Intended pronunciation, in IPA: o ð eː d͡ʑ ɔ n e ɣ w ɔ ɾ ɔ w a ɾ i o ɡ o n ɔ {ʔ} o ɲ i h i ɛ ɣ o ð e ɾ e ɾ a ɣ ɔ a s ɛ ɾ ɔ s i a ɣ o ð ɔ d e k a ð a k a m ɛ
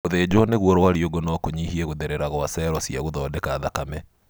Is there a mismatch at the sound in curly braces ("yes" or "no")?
yes